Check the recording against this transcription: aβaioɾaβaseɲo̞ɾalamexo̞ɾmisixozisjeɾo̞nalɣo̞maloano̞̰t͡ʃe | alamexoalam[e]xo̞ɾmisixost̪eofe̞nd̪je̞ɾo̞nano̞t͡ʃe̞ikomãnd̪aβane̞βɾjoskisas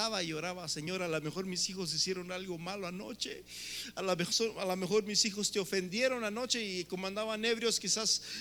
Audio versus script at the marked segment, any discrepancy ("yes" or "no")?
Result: no